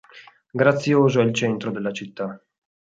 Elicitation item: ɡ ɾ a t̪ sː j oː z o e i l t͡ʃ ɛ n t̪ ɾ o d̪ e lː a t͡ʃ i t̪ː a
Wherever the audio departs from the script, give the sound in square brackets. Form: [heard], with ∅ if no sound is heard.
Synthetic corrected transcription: ɡ ɾ a t̪ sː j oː z o [ɛ] i l t͡ʃ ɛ n t̪ ɾ o d̪ e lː a t͡ʃ i t̪ː a